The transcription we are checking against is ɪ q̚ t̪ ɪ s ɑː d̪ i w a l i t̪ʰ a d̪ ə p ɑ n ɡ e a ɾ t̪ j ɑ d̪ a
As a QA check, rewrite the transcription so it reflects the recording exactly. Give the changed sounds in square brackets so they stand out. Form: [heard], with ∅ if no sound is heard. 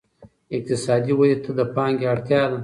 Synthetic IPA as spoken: ɪ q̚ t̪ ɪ s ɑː d̪ i w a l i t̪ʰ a d̪ ə p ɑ [ŋ] ɡ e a [ɽ] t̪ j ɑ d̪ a